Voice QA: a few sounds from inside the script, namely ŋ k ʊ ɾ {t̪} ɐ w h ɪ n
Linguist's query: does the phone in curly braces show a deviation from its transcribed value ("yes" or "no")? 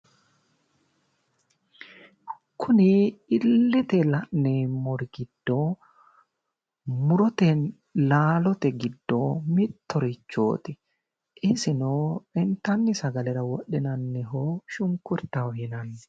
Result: no